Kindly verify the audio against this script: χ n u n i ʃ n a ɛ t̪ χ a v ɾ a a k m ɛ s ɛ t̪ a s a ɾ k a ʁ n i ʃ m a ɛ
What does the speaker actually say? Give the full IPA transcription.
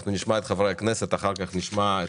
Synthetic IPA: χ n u n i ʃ m a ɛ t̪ χ a v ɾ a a k n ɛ s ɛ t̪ a χ a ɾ k a χ n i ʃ m a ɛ